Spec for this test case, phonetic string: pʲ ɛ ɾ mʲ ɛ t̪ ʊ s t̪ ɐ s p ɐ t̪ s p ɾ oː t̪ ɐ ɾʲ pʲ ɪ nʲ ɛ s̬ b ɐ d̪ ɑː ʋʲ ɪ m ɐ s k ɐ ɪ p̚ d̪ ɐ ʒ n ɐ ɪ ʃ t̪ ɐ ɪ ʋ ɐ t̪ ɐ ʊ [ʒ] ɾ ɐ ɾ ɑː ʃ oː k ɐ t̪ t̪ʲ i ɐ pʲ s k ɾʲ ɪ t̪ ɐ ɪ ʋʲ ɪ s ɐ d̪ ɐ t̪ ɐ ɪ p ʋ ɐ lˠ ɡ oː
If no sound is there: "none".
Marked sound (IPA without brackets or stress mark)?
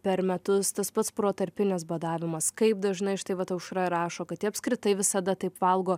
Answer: ʃ